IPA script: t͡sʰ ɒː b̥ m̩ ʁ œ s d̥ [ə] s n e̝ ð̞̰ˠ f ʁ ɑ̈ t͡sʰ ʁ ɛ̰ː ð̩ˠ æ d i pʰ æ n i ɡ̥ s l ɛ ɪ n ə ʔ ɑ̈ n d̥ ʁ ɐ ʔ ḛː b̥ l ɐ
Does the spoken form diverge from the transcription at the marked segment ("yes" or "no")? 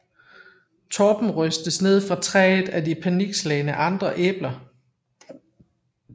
no